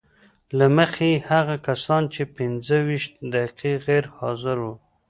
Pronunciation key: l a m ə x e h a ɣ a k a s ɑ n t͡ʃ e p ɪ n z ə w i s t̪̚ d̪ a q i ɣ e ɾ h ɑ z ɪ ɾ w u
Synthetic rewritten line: l a m ə x e h a ɣ a k a s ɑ n t͡ʃ e p ɪ n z ə w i ʃ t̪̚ d̪ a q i ɣ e ɾ h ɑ z ɪ ɾ w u